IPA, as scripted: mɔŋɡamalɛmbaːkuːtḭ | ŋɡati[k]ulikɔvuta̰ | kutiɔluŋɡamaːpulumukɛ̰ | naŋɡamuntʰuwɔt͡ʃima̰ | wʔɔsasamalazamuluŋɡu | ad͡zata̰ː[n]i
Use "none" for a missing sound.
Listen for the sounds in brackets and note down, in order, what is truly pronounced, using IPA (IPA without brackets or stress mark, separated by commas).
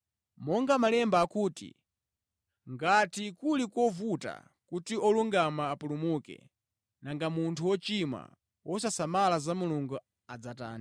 k, n